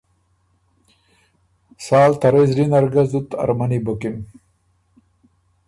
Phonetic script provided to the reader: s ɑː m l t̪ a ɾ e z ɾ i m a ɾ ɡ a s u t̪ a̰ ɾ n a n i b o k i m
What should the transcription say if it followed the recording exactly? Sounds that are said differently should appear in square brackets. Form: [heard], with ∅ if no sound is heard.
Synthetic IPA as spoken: s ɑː [∅] l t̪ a ɾ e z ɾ i [n] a ɾ ɡ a [z] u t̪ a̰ ɾ [m] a n i b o k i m

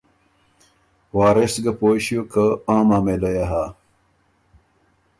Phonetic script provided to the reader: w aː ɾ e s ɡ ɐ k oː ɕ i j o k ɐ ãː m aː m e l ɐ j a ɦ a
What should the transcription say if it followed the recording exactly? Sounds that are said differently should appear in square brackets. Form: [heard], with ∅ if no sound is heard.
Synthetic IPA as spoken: w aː ɾ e s ɡ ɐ [p] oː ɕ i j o k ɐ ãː m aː m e l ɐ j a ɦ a

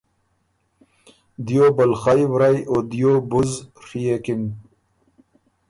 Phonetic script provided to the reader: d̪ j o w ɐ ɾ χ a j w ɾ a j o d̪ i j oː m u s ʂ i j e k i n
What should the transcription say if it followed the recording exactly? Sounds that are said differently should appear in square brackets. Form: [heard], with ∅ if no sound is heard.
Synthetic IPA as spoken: d̪ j o [b] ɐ [l] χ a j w ɾ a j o d̪ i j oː [b] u [z] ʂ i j e k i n

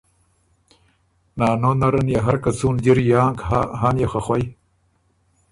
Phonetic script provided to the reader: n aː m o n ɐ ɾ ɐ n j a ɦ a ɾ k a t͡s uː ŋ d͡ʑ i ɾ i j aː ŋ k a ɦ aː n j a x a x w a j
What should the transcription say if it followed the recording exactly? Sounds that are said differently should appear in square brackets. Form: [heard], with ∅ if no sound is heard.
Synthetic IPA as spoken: n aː [n] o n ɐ ɾ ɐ n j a ɦ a ɾ k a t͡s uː [n] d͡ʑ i ɾ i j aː ŋ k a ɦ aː n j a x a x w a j

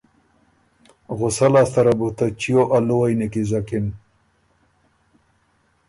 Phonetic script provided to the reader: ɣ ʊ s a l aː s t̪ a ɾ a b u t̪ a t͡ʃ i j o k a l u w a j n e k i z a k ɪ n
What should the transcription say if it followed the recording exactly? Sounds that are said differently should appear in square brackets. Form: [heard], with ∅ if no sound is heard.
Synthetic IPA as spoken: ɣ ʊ s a l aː s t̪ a ɾ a b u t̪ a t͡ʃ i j o [ʔ] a l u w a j n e k i z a k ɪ n

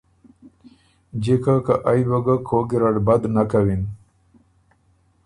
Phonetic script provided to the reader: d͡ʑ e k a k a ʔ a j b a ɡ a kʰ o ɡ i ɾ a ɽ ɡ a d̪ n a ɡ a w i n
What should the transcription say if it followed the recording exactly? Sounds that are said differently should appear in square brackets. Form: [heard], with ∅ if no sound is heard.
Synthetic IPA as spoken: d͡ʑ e k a k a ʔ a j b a ɡ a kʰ o ɡ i ɾ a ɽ [b] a d̪ n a [k] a w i n

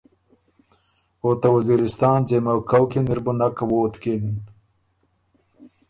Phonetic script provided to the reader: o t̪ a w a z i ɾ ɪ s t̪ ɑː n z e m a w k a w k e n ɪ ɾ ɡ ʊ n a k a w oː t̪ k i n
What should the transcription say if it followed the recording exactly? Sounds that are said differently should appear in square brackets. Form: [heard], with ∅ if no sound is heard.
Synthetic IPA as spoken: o t̪ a w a z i ɾ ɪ s t̪ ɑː n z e m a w k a w k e n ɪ ɾ [b] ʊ n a k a w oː t̪ k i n

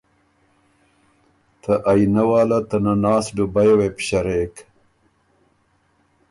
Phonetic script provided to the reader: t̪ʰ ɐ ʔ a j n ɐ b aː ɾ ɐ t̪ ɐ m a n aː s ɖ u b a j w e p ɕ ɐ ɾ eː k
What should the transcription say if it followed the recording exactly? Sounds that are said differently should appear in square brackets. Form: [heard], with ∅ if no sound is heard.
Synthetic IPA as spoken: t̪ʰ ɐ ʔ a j n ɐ [w] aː [l] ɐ t̪ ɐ [n] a n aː s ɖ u b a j w e p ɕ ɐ ɾ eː k

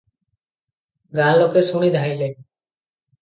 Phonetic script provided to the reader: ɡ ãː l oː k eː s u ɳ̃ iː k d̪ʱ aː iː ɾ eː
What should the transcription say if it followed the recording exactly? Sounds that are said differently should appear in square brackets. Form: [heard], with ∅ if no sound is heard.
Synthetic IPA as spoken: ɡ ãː l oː k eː s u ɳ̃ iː [∅] d̪ʱ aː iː [l] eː

